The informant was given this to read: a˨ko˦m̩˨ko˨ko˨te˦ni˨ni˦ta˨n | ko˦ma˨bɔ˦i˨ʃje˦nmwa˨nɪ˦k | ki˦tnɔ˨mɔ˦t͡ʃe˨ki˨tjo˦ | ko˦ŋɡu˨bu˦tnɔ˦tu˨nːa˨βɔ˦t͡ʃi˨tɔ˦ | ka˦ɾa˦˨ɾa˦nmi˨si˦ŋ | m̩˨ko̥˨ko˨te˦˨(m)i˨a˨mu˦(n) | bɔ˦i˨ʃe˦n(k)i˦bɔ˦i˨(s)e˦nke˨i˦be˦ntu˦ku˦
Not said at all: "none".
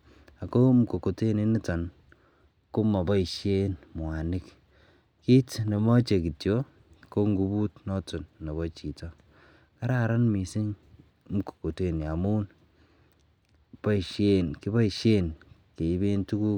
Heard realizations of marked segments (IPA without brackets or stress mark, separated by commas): n, n, k, ʃ